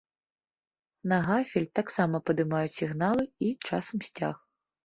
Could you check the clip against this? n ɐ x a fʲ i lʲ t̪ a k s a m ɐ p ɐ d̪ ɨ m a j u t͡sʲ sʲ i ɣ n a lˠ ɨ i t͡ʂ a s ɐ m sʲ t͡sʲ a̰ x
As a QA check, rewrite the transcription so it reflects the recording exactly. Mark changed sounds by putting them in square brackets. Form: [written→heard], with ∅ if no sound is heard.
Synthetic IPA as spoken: n ɐ [x→ɣ] a fʲ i lʲ t̪ a k s a m ɐ p ɐ d̪ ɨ m a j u t͡sʲ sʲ i ɣ n a lˠ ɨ i t͡ʂ a s ɐ m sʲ t͡sʲ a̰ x